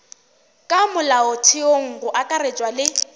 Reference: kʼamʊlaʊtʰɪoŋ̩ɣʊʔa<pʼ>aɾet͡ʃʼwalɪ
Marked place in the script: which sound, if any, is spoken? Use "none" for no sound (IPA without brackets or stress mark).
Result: kʼ